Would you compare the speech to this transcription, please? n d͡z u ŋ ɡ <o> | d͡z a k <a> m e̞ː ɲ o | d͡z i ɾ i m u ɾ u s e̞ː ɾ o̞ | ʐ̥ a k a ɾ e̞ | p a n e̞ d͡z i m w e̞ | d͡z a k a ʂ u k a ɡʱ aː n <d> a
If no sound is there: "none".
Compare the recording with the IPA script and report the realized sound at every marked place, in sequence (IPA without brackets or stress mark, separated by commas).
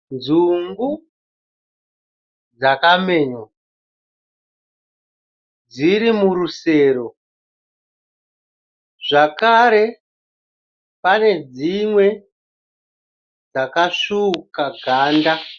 u, a, d